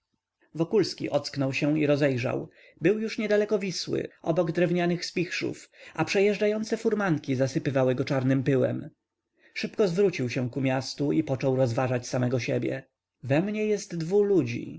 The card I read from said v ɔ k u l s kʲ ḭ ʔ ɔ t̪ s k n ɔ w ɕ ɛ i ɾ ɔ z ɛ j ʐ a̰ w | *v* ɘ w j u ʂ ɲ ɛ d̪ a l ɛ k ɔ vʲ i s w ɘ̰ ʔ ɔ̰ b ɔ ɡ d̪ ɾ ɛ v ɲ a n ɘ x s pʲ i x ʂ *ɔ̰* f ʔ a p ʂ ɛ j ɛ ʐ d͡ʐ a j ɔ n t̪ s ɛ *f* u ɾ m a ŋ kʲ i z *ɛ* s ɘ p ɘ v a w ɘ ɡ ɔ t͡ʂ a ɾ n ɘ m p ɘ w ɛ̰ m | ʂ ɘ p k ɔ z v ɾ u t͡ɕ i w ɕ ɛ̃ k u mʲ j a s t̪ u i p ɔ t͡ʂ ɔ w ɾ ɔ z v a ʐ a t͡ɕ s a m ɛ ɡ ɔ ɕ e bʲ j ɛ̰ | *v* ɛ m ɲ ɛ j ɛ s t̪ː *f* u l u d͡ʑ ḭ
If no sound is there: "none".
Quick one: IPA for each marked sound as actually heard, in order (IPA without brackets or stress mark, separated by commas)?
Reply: b, ṵ, f, a, v, v